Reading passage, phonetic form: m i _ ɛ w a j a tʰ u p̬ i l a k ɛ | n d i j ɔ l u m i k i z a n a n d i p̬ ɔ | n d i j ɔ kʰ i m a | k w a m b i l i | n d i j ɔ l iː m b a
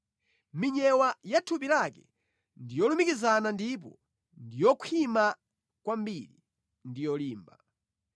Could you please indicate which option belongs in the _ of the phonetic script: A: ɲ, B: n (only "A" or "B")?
A